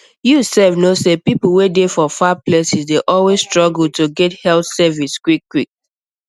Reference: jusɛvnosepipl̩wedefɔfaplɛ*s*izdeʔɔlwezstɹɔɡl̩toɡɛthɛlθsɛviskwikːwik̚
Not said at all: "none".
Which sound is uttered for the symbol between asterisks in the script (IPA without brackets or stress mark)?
s